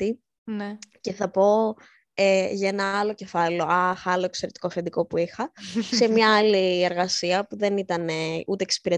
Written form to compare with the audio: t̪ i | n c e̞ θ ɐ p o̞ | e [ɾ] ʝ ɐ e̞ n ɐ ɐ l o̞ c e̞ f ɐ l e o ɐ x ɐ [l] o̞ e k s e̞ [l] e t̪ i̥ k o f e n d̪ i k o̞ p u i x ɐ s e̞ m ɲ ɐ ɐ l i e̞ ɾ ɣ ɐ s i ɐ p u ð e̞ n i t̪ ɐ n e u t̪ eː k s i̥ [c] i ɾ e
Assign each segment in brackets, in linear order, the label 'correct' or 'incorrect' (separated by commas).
incorrect, correct, incorrect, incorrect